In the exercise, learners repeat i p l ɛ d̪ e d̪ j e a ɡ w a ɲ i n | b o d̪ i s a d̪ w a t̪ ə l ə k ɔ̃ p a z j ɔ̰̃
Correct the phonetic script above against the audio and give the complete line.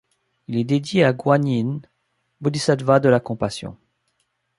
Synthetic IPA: i l ɛ d̪ e d̪ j e a ɡ w a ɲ i n | b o d̪ i s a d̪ v a d̪ ə l a k ɔ̃ p a s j ɔ̰̃